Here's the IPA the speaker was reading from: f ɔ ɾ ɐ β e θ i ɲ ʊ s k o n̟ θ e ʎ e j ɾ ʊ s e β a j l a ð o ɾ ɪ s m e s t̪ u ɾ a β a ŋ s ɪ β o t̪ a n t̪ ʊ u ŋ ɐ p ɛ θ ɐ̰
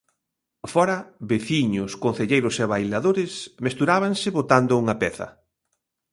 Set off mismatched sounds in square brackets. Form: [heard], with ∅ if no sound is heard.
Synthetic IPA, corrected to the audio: f ɔ ɾ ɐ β e θ i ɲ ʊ s k o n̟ θ e ʎ e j ɾ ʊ s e β a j l a ð o ɾ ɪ s m e s t̪ u ɾ a β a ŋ s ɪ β o t̪ a n [d̪] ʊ u ŋ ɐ p ɛ θ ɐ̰